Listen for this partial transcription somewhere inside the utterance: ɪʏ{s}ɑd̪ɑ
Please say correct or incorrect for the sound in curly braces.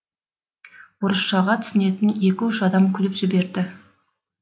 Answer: incorrect